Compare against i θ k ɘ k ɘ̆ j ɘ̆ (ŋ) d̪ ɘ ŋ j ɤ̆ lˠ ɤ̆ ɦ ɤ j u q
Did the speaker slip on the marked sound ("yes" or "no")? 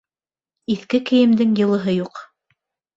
yes